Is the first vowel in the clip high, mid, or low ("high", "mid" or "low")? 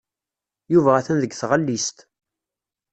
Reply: high